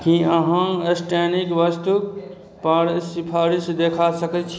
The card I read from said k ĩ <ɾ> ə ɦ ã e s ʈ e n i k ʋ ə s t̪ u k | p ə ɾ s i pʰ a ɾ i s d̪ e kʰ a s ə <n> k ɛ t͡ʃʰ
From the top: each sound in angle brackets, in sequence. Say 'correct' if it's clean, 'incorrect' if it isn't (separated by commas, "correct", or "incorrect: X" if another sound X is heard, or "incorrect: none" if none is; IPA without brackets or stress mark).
incorrect: none, incorrect: none